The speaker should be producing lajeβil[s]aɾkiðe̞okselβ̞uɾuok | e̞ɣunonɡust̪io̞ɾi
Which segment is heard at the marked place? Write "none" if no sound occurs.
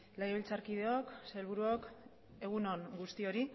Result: t͡s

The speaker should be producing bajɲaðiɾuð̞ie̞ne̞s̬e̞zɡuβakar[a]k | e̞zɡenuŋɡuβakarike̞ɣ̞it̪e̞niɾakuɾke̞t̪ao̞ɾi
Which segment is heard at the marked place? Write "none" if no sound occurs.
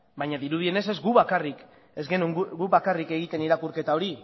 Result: i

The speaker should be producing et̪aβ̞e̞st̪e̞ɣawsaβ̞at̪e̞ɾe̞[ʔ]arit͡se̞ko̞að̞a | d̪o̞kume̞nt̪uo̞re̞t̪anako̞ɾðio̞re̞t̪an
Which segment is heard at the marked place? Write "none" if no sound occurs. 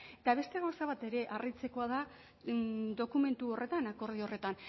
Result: ʔ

